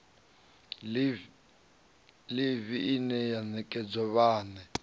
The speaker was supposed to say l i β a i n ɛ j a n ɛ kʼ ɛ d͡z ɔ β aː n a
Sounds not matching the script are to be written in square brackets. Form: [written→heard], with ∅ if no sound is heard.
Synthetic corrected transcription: l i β [a→i] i n ɛ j a n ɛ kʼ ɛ d͡z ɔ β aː n [a→ɛ]